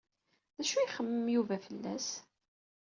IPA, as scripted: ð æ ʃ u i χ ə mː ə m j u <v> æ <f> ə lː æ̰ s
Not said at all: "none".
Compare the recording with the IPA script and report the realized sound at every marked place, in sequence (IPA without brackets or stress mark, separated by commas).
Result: v, f